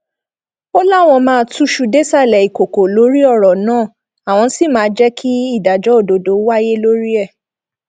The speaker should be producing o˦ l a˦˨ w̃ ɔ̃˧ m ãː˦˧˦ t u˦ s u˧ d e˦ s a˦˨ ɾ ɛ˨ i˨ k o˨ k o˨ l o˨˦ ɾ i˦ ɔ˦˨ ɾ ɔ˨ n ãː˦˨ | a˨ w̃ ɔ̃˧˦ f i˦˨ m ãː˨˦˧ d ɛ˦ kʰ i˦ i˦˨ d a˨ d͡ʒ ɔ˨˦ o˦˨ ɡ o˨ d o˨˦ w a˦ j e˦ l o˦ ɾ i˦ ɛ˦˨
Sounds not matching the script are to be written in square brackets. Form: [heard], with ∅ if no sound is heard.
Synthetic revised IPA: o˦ l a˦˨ w̃ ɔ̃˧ m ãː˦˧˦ t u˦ [ʃ] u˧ d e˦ s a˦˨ [l] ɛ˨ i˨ k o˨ k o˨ l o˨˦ ɾ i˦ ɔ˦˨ ɾ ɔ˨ n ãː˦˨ | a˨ w̃ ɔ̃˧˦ [s] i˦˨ m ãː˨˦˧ [d͡ʒ] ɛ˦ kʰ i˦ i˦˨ d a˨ d͡ʒ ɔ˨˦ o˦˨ [d] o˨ d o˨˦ w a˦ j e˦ l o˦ ɾ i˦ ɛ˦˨

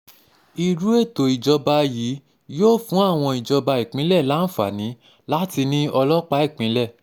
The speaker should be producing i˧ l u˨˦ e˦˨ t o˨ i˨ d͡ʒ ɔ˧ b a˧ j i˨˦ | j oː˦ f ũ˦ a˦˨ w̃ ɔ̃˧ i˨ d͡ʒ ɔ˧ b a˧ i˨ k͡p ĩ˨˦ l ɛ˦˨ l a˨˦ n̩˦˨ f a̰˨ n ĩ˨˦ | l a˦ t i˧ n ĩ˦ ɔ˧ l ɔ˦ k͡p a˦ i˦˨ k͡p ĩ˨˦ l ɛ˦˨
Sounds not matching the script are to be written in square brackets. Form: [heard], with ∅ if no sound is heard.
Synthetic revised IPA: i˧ [ɾ] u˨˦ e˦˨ t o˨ i˨ d͡ʒ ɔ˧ b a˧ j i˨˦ | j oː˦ f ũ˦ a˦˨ w̃ ɔ̃˧ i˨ d͡ʒ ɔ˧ b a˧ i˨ k͡p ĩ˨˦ l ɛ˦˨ l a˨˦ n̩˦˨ f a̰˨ n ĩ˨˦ | l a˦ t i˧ n ĩ˦ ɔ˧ l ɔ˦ k͡p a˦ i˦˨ k͡p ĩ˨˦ l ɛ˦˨

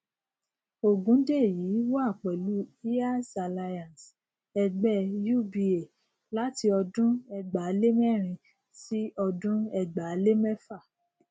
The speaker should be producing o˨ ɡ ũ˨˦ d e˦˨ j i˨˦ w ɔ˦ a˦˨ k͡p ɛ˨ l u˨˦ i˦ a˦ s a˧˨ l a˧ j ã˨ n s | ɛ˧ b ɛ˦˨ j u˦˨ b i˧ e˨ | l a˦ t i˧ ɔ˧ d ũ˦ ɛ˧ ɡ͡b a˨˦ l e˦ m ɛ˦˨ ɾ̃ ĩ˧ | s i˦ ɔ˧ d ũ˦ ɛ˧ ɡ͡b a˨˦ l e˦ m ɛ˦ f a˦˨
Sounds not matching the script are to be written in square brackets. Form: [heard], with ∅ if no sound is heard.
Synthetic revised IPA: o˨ ɡ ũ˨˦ d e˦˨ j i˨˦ w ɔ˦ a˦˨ k͡p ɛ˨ l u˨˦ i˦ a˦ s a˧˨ l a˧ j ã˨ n s | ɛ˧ [ɡ͡b] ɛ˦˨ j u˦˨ b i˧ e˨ | l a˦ t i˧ ɔ˧ d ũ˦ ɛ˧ ɡ͡b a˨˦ l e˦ m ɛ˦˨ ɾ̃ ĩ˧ | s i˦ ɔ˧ d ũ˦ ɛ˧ ɡ͡b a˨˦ l e˦ m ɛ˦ f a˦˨

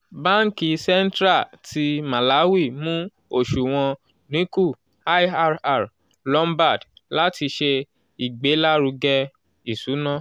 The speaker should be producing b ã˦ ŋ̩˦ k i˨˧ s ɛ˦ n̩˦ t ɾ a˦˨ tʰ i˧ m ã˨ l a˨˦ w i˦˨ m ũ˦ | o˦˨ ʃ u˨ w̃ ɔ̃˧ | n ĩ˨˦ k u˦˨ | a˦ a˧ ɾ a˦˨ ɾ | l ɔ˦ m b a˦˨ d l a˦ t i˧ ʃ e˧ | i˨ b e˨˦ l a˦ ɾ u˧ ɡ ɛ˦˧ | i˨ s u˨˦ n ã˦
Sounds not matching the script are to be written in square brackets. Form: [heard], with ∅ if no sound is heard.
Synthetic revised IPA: b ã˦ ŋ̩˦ k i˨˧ s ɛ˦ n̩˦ t ɾ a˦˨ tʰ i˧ m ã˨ l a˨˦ w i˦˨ m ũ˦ | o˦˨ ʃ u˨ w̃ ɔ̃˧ | n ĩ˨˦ k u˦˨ | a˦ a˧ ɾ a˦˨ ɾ | l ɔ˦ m b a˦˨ d l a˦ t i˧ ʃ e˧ | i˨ [ɡ͡b] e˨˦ l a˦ ɾ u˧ ɡ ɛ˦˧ | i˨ s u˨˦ n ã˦

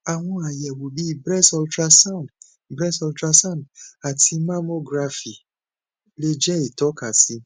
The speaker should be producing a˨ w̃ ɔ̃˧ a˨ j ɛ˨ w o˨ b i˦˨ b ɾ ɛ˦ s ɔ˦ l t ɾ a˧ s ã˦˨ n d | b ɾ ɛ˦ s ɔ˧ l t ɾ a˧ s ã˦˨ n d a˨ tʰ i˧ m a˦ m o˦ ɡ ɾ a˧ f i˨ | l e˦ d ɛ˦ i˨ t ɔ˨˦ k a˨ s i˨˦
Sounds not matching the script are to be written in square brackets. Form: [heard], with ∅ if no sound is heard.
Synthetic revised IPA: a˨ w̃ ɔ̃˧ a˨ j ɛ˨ w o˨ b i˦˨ b ɾ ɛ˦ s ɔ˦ l t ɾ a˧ s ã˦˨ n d | b ɾ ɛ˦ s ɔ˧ l t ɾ a˧ s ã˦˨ n d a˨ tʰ i˧ m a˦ m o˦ ɡ ɾ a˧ f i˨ | l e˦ [d͡ʒ] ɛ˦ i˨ t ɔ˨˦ k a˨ s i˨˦

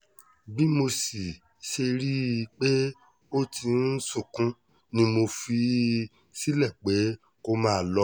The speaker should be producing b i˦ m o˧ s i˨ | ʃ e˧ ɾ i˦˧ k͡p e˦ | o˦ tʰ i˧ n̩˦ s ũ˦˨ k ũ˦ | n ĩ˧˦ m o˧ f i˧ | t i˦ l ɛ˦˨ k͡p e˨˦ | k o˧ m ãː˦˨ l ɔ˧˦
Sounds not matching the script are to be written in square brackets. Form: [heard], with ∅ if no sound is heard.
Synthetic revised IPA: b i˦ m o˧ s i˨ | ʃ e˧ ɾ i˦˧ k͡p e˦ | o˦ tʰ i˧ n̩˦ s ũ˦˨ k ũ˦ | n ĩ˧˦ m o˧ f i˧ | [s] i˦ l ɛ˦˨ k͡p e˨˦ | k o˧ m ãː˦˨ l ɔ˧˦

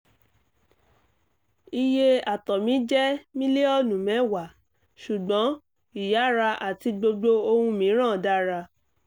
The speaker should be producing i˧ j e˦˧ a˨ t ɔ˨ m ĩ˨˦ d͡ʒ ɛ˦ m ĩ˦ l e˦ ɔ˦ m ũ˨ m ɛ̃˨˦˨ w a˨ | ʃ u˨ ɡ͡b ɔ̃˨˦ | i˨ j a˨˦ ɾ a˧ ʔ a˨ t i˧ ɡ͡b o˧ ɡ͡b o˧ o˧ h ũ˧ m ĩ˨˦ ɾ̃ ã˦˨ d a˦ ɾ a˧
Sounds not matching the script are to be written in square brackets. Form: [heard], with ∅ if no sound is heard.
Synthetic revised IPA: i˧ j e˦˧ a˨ t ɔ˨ m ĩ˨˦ d͡ʒ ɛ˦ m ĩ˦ l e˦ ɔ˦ [n] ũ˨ m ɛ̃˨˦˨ w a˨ | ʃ u˨ ɡ͡b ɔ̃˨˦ | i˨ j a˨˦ ɾ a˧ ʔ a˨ t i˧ ɡ͡b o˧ ɡ͡b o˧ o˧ h ũ˧ m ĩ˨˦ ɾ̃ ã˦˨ d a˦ ɾ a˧

